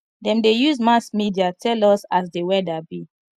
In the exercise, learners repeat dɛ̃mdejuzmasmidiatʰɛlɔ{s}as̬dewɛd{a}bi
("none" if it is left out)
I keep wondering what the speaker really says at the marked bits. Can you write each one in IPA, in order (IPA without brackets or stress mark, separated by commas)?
s, a